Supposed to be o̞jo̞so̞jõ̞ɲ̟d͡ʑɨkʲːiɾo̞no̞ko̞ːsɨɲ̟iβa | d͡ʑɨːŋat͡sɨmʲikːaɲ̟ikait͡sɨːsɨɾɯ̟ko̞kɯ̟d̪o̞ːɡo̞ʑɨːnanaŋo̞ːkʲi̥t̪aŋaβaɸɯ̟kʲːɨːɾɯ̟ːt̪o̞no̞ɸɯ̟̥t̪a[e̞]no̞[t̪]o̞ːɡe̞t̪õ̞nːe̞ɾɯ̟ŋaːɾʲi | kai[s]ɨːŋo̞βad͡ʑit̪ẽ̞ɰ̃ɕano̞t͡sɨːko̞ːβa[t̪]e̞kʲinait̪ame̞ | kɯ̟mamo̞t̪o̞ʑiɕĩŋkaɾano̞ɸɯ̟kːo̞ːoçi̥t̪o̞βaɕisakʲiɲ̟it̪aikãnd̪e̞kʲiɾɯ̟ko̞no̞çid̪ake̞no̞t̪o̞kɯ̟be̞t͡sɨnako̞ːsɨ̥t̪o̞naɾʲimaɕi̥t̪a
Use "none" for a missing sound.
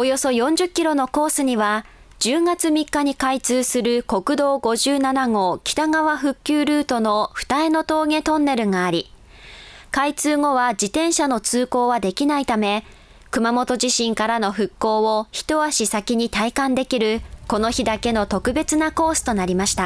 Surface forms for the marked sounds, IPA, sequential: e̞, t̪, t͡s, d̪

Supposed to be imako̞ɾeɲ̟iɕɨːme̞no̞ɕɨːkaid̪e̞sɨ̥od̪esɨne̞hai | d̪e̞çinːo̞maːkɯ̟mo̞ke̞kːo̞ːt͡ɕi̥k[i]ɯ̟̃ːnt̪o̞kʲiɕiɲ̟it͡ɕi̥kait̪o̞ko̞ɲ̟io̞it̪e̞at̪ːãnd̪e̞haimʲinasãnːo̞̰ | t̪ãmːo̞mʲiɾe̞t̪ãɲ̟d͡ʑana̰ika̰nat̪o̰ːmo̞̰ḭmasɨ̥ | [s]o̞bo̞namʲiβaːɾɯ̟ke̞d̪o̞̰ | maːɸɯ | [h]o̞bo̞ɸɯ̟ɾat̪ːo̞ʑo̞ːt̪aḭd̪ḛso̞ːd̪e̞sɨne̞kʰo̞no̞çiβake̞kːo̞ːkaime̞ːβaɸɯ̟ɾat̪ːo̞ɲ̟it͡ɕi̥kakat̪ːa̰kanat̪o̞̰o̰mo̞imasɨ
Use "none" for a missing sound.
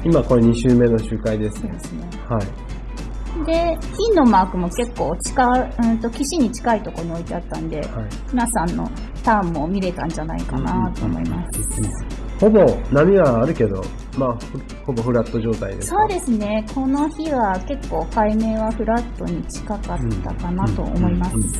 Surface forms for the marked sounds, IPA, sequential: a, h, h

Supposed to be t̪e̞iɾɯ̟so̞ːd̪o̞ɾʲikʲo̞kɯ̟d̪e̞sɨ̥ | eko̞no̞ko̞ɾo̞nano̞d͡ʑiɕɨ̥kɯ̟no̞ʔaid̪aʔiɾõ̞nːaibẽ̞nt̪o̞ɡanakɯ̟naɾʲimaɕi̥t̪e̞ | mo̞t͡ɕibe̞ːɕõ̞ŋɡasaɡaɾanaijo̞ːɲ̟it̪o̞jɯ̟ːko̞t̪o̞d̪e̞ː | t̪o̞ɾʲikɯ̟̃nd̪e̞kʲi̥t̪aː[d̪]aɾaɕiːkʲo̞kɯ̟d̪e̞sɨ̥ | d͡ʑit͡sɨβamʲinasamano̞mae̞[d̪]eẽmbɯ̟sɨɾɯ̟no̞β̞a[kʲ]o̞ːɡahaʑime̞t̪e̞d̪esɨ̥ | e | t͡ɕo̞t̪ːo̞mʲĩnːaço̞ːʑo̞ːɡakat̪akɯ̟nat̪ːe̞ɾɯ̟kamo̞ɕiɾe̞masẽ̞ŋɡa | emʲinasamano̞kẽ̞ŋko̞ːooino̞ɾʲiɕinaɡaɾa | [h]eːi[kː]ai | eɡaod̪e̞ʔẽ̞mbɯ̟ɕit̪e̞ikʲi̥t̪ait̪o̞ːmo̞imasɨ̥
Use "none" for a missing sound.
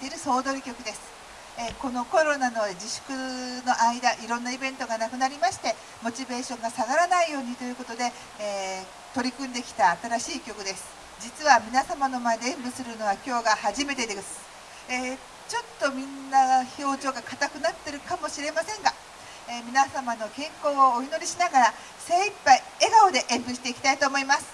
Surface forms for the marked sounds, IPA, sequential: t̪, d̪, kʲ, s, pː

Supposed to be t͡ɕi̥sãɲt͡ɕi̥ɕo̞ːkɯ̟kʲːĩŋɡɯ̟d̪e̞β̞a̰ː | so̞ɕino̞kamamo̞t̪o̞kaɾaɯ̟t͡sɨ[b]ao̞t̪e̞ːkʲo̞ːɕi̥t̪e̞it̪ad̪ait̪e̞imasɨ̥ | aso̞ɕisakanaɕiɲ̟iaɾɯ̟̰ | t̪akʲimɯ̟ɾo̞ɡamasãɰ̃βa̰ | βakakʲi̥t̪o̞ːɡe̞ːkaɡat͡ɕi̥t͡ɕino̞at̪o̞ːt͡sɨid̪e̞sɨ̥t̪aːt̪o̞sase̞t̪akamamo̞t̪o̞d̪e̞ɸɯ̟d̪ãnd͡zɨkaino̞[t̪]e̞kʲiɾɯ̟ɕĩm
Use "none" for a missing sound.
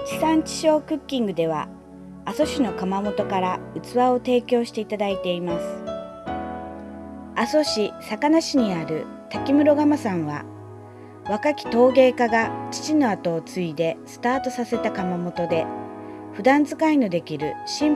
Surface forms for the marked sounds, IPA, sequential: β, d̪

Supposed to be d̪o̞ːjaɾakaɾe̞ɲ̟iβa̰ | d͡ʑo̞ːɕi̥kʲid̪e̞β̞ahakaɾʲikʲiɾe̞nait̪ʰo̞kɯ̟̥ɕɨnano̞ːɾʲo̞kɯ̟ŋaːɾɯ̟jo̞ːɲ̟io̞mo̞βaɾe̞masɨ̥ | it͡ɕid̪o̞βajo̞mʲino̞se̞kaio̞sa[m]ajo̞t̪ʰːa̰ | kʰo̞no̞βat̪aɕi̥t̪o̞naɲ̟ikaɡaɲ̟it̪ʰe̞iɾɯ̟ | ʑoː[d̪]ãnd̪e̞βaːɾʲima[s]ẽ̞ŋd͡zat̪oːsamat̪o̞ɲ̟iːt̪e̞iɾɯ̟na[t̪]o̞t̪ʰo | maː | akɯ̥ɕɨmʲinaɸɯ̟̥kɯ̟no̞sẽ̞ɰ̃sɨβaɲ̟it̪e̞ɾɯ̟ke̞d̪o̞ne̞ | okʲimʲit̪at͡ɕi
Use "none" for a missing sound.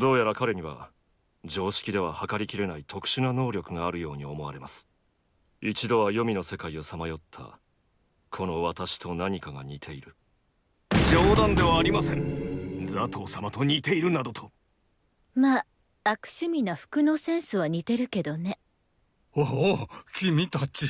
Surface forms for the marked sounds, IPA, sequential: m, d̪, s, d̪

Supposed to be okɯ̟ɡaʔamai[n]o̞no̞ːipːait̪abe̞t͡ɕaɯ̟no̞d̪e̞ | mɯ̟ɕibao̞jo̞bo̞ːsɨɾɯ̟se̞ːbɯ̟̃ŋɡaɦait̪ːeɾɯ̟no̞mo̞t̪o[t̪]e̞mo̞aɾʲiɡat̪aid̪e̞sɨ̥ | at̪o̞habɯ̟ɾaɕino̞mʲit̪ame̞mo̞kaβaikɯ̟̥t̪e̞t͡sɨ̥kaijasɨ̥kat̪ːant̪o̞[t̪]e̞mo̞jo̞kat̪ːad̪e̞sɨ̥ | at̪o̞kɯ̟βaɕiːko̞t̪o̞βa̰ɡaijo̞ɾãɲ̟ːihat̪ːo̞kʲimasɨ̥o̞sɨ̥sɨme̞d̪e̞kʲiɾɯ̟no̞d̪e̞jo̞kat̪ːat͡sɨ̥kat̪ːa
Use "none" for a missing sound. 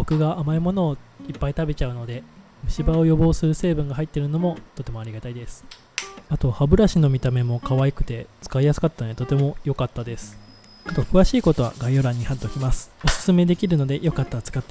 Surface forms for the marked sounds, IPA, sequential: m, t̪, t̪

